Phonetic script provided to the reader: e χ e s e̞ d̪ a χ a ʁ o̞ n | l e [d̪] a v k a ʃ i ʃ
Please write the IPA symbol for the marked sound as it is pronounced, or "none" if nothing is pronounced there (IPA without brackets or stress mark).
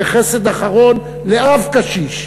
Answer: none